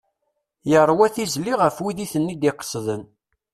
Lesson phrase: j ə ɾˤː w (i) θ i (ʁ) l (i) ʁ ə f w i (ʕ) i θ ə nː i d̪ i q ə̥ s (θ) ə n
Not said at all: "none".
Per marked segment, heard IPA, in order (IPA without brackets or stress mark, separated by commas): æ, z, i, ð, ð